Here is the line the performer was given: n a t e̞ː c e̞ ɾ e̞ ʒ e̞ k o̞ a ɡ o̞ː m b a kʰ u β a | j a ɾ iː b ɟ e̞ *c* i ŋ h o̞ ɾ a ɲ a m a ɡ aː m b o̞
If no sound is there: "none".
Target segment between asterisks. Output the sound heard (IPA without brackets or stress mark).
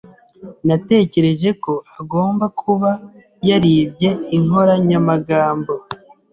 none